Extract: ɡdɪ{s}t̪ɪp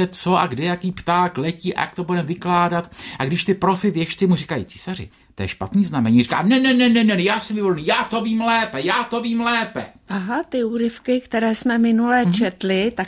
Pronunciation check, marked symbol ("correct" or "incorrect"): incorrect